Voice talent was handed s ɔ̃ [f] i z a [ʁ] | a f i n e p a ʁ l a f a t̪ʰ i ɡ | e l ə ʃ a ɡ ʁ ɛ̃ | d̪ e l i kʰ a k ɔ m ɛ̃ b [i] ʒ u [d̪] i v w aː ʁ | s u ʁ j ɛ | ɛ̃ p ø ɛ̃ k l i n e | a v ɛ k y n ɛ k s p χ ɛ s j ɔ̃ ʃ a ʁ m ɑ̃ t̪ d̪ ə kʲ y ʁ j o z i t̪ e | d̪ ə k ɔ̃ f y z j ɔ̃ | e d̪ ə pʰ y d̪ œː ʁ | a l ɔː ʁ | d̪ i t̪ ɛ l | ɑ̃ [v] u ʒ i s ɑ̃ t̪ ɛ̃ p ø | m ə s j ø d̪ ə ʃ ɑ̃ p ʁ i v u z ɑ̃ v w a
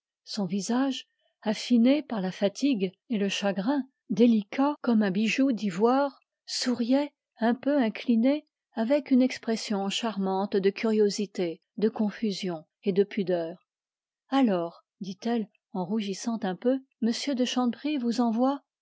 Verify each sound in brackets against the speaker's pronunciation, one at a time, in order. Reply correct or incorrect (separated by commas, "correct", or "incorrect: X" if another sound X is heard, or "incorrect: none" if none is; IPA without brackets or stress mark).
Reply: incorrect: v, incorrect: ʒ, correct, correct, incorrect: ʁ